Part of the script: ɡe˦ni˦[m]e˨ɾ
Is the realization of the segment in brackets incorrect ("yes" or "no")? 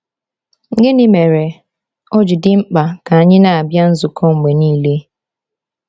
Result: no